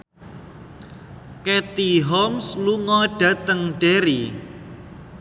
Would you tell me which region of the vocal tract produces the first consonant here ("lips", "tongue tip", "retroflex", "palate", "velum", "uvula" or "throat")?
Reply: velum